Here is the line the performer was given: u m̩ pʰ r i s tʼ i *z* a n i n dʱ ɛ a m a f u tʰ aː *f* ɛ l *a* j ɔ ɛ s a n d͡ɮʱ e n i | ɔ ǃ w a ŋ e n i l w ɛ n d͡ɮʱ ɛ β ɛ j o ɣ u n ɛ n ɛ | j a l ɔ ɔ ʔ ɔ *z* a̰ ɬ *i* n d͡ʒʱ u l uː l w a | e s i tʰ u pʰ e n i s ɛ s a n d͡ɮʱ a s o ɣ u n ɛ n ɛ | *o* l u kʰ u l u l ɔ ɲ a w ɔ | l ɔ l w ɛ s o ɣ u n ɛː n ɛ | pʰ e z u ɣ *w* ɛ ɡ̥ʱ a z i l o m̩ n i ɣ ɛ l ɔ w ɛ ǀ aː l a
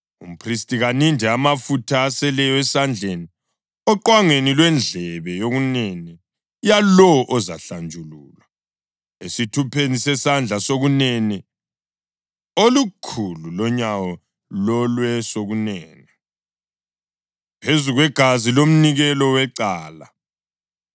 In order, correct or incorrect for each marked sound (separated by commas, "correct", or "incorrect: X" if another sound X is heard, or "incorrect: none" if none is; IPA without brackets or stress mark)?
incorrect: ɣ, incorrect: s, incorrect: ɛ, correct, incorrect: a, correct, correct